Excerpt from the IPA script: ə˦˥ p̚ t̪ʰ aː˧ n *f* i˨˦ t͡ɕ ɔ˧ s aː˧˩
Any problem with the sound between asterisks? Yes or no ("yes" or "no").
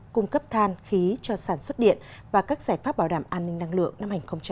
yes